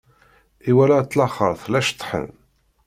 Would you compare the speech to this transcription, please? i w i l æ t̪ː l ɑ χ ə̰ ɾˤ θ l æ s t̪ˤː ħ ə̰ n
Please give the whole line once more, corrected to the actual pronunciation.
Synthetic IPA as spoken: i w æ l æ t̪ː l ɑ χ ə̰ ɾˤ θ l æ ʃ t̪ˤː ħ ə̰ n

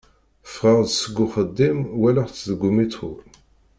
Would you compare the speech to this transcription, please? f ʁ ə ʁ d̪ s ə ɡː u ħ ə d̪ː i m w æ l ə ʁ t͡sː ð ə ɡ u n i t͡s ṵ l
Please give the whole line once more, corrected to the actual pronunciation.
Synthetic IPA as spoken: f ʁ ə ʁ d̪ s ə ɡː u χ ə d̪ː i m w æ l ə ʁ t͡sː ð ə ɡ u m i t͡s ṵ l

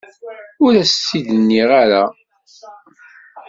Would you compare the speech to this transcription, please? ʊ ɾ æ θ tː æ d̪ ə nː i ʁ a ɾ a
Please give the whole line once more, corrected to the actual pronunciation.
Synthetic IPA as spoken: ʊ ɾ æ s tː i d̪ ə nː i ʁ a ɾ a

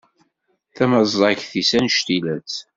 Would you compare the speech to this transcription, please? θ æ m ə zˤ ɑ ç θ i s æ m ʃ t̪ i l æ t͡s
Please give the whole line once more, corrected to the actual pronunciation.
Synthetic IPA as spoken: θ æ m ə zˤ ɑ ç θ i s æ n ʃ t̪ i l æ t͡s

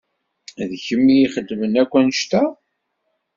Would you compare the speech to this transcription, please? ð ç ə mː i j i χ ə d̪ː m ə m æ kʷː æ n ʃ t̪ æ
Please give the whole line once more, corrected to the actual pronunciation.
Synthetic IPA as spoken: ð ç ə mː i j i χ ə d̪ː m ə n æ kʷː æ n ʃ t̪ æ

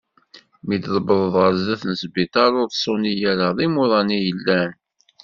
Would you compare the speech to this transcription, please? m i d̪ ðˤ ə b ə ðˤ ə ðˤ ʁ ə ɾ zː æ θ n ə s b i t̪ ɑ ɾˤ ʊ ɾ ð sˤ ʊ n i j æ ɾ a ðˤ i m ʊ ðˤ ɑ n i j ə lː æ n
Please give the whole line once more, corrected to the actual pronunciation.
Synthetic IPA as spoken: m i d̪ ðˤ ə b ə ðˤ ə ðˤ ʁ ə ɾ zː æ θ n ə s b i t̪ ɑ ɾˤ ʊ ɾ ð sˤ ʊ n i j æ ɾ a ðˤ i m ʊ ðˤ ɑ n i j ə lː æ n

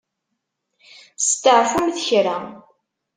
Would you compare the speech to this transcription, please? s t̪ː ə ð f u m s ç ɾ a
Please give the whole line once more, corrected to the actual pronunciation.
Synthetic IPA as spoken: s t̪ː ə ʕ f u m θ ç ɾ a

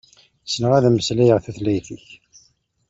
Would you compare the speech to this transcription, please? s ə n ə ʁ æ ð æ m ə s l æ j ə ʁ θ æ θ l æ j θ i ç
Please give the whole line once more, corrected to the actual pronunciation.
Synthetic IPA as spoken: s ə n ə ʁ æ ð æ m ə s l æ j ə ʁ θ æ θ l æ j θ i ç

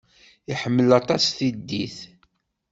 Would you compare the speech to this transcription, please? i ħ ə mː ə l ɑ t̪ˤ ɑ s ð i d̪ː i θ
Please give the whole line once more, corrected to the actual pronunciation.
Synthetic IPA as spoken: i ħ ə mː ə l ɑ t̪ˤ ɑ s θ i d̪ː i θ

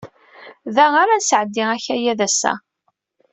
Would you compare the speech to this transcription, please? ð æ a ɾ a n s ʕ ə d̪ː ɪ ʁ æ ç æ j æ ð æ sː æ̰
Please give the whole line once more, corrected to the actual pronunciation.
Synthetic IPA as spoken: ð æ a ɾ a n s ʕ ə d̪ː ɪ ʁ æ ç æ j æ ð æ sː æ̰

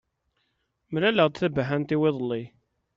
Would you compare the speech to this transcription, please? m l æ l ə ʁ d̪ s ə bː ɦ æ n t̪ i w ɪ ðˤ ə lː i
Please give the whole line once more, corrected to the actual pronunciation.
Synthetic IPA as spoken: m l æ l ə ʁ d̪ θ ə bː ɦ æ n t̪ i w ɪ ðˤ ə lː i

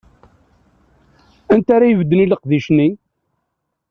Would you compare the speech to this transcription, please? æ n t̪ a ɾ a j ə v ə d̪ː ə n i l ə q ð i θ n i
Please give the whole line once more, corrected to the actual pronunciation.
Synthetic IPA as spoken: æ n t̪ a ɾ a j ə v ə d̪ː ə n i l ə q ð i ʃ n i

